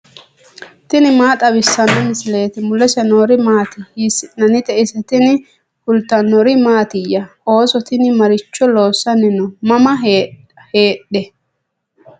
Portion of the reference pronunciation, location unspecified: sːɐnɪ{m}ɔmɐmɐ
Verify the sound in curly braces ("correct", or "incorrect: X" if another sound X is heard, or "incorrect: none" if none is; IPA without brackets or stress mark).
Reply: incorrect: n